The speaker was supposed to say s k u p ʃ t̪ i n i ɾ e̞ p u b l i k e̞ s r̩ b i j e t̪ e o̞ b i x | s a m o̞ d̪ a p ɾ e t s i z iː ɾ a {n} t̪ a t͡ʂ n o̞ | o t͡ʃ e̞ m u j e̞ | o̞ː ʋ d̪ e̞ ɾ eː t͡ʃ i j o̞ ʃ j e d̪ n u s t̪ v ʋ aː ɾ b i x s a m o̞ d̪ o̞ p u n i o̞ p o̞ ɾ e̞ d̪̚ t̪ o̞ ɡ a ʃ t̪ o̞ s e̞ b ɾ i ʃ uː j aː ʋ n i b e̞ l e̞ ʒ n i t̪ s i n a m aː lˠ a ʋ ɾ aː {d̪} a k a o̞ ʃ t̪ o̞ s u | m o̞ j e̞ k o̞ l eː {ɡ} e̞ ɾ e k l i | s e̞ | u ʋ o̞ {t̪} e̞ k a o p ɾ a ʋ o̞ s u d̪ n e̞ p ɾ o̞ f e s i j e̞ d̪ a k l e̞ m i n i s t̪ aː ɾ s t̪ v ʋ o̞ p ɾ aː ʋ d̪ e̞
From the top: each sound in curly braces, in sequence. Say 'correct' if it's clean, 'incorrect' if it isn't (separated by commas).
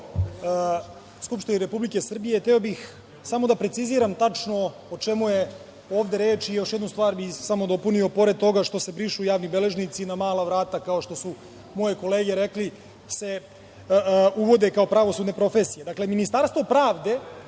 incorrect, incorrect, correct, incorrect